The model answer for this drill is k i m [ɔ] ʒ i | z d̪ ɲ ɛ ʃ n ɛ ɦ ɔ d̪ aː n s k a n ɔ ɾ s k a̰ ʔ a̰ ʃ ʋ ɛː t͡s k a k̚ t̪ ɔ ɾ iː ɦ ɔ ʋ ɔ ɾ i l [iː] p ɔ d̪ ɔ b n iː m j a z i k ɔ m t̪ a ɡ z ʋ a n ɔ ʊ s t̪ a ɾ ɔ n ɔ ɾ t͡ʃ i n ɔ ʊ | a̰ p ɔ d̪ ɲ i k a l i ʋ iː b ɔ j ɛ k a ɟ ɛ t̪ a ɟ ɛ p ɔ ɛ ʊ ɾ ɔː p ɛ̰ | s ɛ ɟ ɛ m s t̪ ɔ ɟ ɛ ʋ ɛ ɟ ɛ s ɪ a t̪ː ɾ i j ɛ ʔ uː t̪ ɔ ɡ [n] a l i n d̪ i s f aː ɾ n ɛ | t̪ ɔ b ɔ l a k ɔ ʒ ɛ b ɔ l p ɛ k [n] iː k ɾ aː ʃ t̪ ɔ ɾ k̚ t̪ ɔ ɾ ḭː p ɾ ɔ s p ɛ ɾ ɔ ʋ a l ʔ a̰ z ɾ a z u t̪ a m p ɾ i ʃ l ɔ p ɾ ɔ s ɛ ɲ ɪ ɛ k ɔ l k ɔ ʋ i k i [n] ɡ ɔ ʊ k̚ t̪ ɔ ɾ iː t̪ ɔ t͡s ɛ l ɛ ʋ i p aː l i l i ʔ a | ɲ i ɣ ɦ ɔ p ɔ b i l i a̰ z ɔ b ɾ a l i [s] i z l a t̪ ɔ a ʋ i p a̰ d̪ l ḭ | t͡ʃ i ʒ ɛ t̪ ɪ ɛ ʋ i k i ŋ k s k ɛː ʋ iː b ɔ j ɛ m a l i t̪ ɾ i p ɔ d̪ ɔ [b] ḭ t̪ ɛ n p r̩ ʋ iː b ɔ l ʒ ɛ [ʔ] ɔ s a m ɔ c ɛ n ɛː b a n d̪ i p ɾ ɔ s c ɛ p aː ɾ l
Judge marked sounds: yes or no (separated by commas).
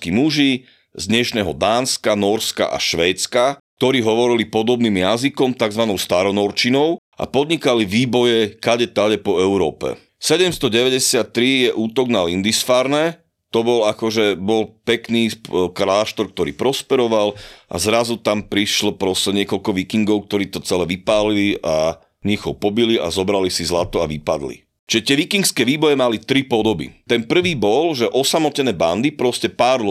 no, no, yes, yes, no, yes, yes, yes